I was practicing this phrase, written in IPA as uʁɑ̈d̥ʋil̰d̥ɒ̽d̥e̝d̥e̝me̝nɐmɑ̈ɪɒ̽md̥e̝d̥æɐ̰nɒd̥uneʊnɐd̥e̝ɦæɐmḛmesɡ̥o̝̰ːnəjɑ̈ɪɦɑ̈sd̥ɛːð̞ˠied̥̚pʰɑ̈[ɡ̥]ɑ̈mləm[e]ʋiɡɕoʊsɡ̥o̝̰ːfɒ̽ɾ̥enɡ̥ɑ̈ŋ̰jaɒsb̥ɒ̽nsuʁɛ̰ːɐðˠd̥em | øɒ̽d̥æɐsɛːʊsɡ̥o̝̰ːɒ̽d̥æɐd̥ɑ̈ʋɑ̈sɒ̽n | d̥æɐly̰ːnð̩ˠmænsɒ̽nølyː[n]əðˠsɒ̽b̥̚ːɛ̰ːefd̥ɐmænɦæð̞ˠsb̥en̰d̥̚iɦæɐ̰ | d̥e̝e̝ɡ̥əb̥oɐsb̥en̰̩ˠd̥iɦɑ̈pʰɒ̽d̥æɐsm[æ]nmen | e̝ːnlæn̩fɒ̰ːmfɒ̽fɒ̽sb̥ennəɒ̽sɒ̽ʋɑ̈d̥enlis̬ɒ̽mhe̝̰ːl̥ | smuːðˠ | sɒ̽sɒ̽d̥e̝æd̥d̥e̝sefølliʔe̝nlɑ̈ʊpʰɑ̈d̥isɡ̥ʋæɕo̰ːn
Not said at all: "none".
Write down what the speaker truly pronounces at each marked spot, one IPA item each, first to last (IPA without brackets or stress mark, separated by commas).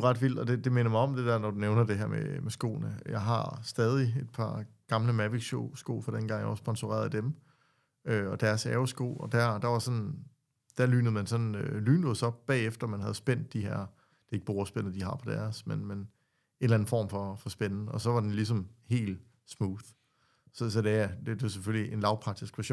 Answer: ɡ̥, æ, n, e